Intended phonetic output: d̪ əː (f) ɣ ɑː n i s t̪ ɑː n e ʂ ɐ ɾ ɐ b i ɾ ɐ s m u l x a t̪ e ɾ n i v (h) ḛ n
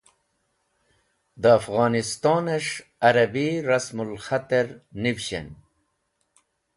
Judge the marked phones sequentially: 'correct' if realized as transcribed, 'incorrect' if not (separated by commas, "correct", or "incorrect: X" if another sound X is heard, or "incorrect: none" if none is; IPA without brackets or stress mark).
correct, incorrect: ɕ